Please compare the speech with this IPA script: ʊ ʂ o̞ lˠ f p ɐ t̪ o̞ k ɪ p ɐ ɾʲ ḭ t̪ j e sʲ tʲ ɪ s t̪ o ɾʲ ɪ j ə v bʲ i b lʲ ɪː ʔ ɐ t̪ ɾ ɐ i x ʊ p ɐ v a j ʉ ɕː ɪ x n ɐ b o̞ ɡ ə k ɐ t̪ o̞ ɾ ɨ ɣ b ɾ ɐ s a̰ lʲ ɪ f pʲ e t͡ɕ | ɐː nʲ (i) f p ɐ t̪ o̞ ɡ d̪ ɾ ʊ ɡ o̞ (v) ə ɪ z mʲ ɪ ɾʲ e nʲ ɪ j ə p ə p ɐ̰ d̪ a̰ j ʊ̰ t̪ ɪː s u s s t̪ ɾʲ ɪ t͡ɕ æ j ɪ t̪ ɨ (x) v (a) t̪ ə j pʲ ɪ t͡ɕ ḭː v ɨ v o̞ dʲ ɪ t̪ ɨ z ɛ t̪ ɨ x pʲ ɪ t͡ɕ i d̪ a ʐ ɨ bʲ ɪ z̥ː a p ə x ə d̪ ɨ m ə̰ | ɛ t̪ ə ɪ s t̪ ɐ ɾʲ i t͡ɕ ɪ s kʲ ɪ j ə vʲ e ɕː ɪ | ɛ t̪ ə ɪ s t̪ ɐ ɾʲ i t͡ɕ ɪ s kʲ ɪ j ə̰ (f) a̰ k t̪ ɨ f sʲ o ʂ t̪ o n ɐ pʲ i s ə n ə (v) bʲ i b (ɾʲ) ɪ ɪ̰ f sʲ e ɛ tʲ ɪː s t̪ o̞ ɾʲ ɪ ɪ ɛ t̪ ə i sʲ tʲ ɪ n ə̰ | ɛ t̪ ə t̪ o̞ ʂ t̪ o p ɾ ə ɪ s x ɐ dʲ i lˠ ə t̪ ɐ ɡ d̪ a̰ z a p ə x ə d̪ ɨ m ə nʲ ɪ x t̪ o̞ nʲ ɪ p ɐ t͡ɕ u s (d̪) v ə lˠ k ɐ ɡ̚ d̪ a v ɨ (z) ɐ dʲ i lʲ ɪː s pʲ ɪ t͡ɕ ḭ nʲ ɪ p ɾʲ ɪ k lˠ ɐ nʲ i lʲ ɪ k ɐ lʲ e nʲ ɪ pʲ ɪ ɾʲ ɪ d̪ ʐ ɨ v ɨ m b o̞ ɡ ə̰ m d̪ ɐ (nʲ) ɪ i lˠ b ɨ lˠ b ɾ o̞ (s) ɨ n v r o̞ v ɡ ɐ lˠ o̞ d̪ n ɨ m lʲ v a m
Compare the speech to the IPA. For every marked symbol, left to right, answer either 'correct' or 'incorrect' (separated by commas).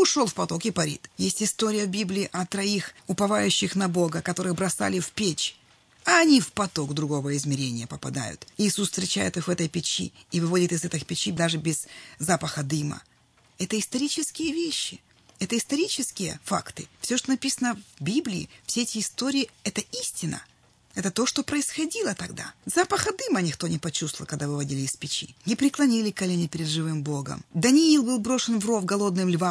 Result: correct, correct, correct, incorrect, correct, correct, incorrect, incorrect, incorrect, correct, incorrect